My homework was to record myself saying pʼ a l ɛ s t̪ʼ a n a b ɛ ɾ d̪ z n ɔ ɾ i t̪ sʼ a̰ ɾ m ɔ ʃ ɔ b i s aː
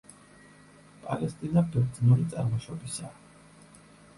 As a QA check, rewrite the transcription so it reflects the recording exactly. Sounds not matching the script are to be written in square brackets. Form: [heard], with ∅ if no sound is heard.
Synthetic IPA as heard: pʼ a l ɛ s t̪ʼ [i] n a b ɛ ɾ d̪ z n [u] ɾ i t̪ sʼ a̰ ɾ m ɔ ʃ ɔ b i s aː